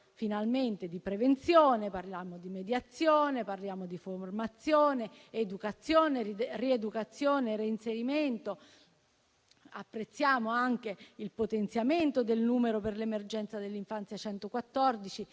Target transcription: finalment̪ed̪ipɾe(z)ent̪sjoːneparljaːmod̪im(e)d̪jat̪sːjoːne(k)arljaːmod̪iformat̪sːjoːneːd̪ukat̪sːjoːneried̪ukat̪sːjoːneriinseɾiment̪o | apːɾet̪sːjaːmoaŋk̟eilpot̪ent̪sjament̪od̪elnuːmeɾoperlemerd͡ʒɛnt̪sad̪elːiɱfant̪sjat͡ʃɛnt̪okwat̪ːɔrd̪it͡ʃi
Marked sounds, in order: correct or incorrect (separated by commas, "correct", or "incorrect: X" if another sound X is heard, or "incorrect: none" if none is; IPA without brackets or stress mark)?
incorrect: v, correct, incorrect: p